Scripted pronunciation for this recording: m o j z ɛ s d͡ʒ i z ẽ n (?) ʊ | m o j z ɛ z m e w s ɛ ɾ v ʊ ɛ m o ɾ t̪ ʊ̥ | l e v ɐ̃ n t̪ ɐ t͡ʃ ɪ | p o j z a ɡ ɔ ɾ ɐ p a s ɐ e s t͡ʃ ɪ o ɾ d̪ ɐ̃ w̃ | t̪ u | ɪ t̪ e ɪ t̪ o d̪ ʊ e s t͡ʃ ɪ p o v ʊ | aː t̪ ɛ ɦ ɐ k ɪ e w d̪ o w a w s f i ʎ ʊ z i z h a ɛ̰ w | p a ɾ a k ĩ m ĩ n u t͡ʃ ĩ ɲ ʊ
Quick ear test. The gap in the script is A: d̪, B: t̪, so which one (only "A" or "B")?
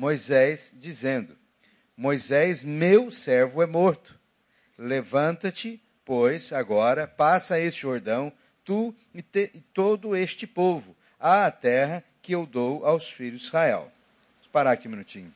A